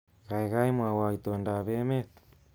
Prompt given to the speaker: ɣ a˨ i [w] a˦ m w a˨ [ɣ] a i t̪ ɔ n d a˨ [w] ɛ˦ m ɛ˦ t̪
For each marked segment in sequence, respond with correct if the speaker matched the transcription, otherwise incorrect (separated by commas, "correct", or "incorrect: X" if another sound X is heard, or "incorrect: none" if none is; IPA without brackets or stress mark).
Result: incorrect: ɣ, incorrect: w, incorrect: β